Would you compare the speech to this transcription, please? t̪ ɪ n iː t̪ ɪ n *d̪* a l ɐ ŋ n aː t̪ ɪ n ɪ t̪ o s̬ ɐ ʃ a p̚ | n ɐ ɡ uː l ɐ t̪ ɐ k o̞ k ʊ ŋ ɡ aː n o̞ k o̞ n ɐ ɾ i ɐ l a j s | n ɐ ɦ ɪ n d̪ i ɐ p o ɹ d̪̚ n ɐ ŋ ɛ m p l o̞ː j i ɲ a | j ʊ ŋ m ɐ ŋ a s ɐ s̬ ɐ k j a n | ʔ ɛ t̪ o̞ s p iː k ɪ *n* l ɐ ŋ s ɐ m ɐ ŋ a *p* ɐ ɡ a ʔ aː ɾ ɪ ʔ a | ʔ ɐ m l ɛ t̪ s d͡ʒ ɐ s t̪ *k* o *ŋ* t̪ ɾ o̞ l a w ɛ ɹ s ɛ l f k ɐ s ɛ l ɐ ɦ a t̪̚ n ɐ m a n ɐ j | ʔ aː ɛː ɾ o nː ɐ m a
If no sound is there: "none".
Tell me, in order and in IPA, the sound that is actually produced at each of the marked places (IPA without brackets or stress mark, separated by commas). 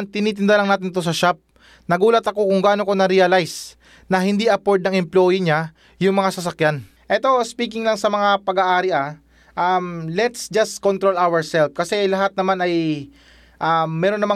d̪, ŋ, p, k, n